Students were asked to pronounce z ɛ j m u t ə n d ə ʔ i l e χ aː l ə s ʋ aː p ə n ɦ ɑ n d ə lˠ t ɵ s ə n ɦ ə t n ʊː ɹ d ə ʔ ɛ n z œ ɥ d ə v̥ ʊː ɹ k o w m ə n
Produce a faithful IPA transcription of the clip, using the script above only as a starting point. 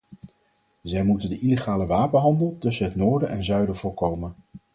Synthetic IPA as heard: z ɛ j m u t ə n d ə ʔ i l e χ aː l ə ʋ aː p ə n ɦ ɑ n d ə lˠ t ɵ s ə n ɦ ə t n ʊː ɹ d ə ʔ ɛ n z œ ɥ d ə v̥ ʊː ɹ k o w m ə n